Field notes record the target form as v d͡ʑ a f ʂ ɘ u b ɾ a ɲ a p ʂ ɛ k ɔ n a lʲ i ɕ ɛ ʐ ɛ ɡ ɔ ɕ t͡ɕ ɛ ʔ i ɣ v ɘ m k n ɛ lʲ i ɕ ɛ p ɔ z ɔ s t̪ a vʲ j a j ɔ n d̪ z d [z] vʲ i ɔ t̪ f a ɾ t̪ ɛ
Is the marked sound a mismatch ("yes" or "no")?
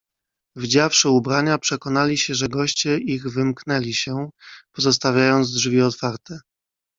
yes